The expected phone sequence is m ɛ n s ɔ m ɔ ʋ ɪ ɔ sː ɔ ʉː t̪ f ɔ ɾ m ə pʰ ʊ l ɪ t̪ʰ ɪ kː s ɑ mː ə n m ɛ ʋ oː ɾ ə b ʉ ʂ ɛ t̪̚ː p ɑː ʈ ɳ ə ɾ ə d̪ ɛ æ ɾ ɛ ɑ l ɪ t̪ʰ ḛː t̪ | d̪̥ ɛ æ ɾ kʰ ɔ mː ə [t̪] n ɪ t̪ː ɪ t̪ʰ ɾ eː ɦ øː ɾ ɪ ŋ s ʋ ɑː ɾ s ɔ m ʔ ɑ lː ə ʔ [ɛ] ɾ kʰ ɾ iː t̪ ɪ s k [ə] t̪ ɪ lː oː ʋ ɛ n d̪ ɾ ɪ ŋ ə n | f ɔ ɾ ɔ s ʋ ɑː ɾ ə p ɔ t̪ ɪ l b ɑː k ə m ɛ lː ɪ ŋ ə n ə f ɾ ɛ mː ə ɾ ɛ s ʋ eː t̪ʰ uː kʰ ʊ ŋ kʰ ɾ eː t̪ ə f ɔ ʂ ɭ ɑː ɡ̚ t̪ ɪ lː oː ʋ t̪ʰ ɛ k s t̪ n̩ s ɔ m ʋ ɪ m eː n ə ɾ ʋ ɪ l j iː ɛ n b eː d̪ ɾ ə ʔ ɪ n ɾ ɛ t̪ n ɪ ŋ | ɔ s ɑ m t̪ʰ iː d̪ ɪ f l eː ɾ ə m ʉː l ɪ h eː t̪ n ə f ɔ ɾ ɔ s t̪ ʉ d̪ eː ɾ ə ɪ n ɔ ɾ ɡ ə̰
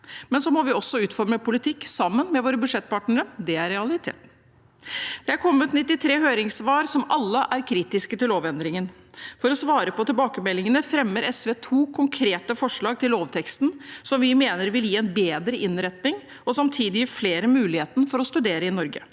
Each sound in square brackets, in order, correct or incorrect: correct, incorrect, correct

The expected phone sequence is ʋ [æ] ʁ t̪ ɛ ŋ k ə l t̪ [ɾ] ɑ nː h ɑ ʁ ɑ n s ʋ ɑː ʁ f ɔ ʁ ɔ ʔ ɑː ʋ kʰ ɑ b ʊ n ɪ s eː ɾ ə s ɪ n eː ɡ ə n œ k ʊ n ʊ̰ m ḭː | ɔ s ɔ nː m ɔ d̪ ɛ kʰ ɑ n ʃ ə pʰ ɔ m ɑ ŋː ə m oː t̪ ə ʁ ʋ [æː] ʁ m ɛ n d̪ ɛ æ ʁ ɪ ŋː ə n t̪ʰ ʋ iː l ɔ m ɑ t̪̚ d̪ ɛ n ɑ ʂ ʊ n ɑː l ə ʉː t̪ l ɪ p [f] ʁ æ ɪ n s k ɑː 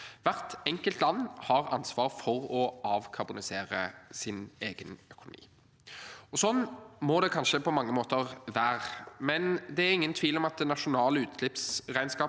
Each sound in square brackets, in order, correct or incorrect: correct, incorrect, correct, incorrect

